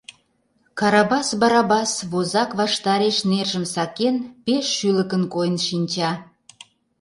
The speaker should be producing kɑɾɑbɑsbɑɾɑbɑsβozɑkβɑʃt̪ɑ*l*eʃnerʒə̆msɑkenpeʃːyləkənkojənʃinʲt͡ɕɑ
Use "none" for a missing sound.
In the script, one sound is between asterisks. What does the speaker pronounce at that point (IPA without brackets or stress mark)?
ɾ